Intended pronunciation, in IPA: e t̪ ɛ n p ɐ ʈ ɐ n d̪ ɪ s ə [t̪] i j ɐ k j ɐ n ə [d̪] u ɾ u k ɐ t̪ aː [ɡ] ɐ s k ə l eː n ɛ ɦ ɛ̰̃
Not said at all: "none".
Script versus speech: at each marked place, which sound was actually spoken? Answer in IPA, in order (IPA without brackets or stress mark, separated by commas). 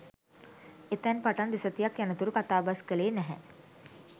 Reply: t̪, t̪, b